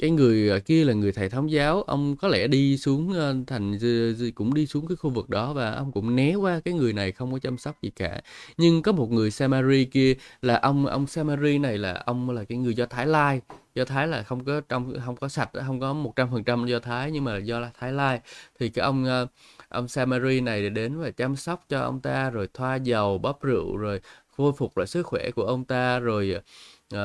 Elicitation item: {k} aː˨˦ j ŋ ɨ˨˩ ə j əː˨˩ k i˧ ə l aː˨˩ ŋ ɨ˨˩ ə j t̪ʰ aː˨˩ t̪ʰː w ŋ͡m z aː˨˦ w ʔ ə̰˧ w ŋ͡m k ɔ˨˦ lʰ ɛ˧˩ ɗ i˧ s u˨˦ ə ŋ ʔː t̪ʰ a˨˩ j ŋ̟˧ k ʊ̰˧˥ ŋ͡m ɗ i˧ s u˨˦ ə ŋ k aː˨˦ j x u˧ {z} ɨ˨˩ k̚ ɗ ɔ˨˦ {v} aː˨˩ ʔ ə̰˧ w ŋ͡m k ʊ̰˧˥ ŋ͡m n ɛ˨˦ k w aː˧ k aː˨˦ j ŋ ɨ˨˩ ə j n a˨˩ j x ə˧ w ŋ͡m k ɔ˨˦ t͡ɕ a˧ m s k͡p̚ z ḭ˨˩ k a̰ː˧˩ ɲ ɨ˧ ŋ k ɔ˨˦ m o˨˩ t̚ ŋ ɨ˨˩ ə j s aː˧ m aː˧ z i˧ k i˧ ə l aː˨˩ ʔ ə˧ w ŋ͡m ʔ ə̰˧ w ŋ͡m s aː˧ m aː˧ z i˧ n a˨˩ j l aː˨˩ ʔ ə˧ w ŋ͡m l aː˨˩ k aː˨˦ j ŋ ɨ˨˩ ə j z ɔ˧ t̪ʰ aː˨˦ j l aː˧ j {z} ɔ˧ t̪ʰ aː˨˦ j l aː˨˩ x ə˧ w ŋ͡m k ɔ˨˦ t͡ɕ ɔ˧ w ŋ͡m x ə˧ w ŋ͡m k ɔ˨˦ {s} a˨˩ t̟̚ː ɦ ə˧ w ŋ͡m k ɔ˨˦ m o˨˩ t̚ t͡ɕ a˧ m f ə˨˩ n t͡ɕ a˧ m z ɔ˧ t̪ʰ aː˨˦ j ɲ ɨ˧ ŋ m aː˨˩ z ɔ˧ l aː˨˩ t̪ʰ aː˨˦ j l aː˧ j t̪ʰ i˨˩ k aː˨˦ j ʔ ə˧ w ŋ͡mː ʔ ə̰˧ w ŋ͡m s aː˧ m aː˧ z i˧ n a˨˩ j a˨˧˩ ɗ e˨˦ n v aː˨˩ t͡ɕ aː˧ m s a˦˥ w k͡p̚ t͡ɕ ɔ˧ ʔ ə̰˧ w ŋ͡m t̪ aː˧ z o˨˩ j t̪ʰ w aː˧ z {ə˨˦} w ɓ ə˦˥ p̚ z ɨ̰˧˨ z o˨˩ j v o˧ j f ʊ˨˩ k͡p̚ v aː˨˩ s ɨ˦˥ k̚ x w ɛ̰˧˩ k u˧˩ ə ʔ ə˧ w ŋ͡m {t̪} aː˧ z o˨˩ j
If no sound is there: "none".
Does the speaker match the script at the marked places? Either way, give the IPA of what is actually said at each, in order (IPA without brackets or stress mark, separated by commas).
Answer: k, v, v, z, s, ə˨˩, t̪